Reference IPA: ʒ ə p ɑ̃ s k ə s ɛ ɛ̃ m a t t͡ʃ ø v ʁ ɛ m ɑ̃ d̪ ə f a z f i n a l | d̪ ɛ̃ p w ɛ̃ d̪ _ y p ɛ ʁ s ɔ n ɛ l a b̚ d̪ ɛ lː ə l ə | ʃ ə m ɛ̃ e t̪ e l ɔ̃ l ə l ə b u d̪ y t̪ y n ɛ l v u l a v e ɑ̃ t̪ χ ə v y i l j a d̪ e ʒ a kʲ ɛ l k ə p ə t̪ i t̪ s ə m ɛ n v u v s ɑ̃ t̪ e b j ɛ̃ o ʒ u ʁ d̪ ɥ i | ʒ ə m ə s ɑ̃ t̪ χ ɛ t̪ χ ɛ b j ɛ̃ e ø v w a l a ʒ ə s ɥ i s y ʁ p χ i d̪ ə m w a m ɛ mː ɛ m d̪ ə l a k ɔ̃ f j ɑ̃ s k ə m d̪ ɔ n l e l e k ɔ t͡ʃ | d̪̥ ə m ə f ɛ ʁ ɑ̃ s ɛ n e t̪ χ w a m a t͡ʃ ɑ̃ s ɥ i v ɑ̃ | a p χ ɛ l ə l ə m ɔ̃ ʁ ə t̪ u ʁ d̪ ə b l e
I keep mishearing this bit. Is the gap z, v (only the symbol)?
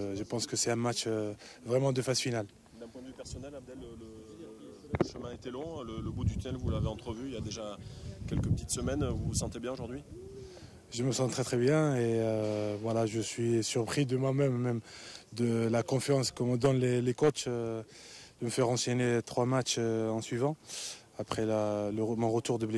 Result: v